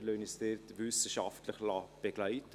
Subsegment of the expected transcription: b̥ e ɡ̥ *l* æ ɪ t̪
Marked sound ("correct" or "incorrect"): correct